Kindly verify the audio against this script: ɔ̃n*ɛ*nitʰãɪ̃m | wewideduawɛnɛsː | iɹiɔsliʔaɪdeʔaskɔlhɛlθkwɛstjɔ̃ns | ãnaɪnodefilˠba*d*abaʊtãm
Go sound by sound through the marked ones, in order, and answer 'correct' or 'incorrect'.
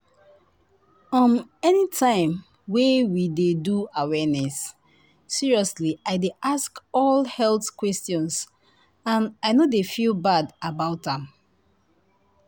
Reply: correct, correct

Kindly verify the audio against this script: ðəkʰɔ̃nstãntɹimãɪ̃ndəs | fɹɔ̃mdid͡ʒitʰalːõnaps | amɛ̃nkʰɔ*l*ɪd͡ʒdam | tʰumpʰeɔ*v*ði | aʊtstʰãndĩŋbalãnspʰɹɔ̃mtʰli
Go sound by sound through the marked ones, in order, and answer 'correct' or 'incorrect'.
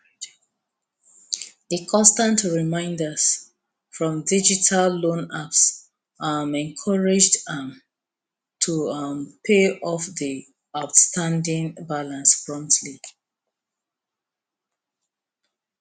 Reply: incorrect: ɹ, incorrect: f

